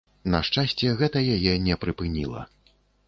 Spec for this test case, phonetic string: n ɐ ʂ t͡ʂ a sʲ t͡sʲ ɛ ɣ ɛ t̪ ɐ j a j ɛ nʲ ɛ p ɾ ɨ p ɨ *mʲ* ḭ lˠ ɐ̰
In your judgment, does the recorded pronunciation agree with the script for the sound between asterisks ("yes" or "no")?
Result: no